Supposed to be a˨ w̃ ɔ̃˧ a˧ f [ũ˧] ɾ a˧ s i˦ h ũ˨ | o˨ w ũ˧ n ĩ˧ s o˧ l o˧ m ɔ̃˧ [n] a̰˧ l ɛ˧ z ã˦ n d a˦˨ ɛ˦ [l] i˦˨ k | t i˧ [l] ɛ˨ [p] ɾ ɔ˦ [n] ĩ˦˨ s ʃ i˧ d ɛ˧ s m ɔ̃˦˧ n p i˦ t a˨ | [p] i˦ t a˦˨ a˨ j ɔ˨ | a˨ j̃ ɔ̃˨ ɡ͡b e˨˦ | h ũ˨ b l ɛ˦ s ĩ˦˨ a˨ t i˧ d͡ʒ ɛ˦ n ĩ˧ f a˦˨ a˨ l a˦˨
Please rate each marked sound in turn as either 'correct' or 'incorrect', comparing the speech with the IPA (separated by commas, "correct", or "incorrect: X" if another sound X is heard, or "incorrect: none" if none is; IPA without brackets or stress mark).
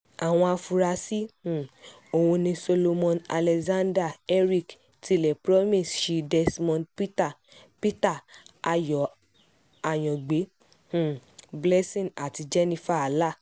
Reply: incorrect: u˧, correct, incorrect: ɾ, correct, correct, incorrect: m, correct